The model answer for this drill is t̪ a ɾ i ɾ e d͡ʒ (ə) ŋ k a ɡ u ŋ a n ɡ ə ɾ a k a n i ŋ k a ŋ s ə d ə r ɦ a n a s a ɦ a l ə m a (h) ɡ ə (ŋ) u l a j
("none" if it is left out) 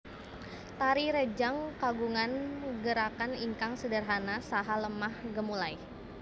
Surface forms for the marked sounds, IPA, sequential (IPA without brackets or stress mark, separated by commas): a, h, m